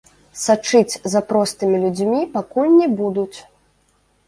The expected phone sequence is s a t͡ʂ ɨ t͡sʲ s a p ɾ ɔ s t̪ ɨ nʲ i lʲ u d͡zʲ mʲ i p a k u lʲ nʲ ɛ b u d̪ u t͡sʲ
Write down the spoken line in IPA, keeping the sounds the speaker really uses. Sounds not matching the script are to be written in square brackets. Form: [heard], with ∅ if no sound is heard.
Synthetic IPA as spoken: s a t͡ʂ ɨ t͡sʲ [z] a p ɾ ɔ s t̪ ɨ [mʲ] i lʲ u d͡zʲ mʲ i p a k u lʲ nʲ ɛ b u d̪ u t͡sʲ